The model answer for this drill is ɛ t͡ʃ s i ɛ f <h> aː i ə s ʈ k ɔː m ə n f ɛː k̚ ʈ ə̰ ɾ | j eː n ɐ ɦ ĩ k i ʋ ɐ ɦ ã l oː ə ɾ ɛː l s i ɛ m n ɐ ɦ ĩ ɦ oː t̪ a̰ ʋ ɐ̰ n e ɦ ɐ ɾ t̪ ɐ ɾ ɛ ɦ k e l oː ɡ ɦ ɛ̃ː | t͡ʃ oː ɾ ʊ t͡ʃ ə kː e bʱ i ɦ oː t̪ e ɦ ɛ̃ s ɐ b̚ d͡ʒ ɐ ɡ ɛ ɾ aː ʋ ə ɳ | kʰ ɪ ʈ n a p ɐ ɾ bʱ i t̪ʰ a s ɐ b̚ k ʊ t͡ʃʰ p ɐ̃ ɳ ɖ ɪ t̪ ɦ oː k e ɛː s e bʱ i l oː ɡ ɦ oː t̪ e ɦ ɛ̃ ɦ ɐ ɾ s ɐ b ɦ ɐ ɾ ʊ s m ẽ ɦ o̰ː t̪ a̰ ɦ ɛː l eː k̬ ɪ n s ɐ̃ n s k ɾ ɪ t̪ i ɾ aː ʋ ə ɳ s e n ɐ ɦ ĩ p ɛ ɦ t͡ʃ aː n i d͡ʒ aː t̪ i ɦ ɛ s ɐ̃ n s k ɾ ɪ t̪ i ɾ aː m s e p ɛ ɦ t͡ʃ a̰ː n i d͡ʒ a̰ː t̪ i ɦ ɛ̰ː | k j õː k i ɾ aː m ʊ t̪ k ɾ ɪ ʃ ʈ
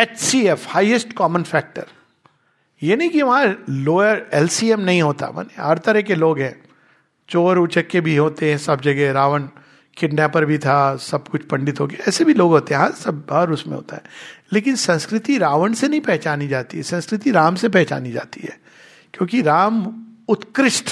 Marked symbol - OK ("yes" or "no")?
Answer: yes